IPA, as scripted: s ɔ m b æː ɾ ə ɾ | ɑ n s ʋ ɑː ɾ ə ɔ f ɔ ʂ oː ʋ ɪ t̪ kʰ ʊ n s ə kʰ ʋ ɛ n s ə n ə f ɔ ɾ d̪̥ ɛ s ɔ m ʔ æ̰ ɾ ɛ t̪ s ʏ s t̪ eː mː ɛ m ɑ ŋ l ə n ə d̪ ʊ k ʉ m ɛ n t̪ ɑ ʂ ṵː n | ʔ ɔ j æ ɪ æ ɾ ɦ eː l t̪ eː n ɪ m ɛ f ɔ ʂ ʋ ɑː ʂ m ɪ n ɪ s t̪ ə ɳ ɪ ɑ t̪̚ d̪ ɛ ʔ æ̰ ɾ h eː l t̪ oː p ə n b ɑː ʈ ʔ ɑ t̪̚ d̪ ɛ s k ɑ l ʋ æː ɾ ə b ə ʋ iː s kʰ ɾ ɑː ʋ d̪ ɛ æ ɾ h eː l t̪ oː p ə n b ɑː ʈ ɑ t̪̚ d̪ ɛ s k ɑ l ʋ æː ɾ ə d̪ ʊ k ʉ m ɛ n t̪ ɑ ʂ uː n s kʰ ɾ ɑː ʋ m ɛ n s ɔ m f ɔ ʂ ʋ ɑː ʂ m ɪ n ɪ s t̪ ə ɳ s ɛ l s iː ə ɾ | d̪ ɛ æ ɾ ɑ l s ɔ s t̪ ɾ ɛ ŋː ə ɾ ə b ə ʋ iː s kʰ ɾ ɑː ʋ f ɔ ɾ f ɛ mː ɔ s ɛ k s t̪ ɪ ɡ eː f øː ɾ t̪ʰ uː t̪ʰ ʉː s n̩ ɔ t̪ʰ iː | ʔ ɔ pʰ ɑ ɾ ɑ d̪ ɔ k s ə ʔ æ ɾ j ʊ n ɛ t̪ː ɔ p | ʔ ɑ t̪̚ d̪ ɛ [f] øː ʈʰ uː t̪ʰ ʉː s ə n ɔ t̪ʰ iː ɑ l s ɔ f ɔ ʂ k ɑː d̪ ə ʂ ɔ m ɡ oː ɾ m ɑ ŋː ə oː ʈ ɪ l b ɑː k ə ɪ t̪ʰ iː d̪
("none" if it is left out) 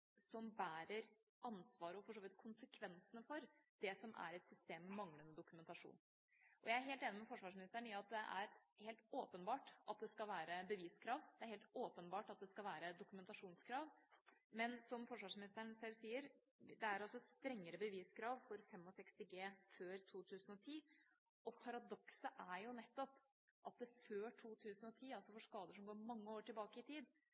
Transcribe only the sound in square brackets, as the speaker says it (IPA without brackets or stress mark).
f